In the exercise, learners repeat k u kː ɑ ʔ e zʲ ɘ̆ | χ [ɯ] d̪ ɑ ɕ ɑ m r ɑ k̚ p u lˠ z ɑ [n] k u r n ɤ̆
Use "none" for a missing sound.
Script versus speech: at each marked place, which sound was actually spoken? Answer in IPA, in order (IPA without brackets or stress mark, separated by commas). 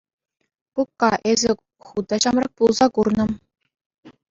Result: u, none